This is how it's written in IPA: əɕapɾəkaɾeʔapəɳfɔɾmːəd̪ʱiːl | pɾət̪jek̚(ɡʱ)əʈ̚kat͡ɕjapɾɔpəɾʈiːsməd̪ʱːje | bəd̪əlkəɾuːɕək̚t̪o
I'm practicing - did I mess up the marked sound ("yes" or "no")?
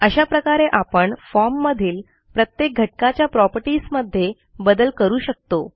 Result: no